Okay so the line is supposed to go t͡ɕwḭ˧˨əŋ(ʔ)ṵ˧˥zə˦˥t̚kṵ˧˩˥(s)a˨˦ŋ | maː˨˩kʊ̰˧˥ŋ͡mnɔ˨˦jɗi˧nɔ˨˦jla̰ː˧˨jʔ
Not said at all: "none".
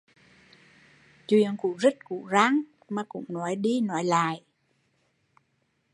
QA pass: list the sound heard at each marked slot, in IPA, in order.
k, z

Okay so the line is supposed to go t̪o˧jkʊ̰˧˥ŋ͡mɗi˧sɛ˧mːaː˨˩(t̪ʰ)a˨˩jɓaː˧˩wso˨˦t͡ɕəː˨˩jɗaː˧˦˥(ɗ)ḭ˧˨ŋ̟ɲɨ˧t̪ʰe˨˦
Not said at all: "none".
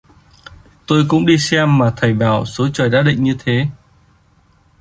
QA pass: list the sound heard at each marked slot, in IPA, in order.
t̪ʰ, ɗ

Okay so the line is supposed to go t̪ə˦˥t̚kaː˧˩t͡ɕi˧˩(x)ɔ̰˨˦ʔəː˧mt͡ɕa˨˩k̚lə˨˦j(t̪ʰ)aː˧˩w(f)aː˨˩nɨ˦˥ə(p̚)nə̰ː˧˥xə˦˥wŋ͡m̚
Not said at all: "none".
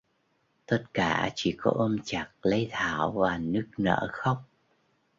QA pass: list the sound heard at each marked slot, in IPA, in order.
k, t̪ʰ, v, k̚

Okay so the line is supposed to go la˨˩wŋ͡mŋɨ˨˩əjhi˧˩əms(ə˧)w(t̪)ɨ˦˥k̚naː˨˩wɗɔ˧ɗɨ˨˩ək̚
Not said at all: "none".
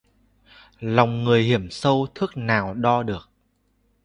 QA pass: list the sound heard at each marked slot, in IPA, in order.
ə˧, t̪ʰ

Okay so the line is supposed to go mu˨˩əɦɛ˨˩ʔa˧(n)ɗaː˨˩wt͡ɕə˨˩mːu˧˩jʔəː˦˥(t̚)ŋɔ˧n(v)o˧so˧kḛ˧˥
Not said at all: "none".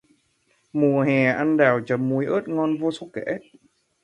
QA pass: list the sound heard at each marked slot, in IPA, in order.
n, t̚, v

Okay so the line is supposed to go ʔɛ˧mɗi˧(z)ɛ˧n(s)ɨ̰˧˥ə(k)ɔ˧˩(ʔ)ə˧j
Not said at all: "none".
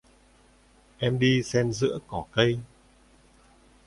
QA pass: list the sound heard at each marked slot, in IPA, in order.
s, z, k, k

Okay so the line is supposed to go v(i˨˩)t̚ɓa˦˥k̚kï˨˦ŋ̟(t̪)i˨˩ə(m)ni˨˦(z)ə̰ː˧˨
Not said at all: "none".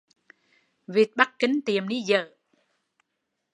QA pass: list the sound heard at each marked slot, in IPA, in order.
i˨˩, t̪, m, z

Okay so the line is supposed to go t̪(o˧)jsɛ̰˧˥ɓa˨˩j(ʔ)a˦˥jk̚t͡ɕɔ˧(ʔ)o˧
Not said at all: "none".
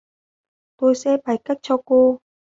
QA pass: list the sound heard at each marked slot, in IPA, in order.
o˧, k, k

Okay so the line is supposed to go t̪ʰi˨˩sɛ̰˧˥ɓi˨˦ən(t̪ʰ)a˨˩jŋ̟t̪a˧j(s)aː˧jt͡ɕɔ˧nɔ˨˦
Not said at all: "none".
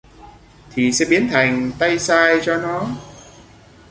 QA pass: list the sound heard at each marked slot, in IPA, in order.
t̪ʰ, s

